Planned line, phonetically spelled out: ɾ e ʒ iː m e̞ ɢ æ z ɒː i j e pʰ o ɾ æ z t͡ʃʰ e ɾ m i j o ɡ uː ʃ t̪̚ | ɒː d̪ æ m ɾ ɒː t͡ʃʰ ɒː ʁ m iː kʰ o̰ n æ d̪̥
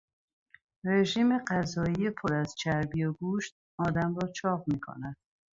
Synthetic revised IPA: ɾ e ʒ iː m e̞ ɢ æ z ɒː i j e pʰ o ɾ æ z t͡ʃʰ æ ɾ b i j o ɡ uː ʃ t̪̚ | ɒː d̪ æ m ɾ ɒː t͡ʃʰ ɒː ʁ m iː kʰ o̰ n æ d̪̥